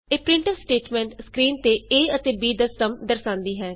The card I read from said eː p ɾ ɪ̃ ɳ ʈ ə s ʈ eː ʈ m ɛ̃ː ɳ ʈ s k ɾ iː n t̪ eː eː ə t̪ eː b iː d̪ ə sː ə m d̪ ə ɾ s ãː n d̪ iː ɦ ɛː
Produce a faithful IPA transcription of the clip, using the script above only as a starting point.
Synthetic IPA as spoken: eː p ɾ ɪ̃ ɳ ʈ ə s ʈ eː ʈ m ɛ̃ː ɳ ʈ s k ɾ iː n t̪ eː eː ə t̪ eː b iː d̪ ə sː ə m d̪ ə ɾ s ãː n d̪ iː ɦ ɛː